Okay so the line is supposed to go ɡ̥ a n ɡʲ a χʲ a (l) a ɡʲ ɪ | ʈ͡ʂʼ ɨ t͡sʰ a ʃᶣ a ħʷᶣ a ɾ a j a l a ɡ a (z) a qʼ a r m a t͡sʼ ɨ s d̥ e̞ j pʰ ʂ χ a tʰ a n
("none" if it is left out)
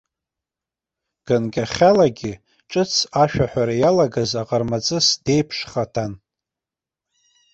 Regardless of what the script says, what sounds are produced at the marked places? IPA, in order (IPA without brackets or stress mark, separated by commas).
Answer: l, z